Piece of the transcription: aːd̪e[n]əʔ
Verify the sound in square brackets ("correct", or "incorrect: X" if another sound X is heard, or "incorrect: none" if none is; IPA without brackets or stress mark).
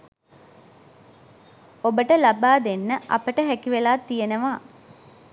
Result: incorrect: nː